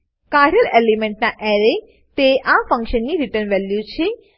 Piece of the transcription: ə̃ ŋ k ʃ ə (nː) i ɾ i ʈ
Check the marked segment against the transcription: correct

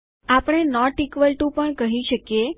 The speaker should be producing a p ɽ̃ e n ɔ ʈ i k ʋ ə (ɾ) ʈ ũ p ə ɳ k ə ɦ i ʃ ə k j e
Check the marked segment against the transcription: incorrect: l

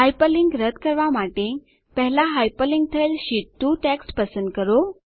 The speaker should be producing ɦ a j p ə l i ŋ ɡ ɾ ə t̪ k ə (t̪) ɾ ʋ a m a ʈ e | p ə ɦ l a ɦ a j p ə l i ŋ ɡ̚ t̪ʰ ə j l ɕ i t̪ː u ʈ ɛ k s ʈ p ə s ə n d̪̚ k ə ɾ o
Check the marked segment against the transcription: incorrect: none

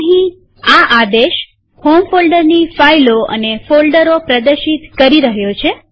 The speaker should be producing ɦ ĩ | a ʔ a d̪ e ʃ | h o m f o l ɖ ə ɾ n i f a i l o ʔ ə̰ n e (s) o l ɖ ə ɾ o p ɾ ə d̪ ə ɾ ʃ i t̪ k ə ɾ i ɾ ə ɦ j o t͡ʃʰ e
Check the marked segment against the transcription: incorrect: f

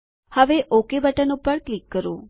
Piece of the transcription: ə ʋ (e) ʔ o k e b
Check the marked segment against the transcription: correct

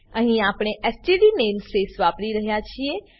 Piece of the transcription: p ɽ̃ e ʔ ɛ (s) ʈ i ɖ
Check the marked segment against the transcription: correct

